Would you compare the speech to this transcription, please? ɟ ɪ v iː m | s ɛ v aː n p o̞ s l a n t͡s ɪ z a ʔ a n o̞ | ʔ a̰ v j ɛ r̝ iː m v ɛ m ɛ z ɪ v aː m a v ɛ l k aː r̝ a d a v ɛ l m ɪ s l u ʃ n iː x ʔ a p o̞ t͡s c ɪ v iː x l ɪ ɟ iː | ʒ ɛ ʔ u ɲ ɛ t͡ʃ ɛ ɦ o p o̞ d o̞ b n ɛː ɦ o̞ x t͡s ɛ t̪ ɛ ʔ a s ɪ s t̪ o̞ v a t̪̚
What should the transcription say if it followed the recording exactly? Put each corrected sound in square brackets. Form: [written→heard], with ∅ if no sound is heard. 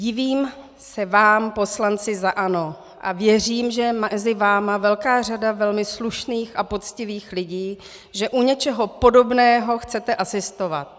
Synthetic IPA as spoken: ɟ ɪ v iː m | s ɛ v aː [n→m] p o̞ s l a n t͡s ɪ z a ʔ a n o̞ | ʔ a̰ v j ɛ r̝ iː m [v→ʒ] ɛ m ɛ z ɪ v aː m a v ɛ l k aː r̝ a d a v ɛ l m ɪ s l u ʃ n iː x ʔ a p o̞ t͡s c ɪ v iː x l ɪ ɟ iː | ʒ ɛ ʔ u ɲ ɛ t͡ʃ ɛ ɦ o p o̞ d o̞ b n ɛː ɦ o̞ x t͡s ɛ t̪ ɛ ʔ a s ɪ s t̪ o̞ v a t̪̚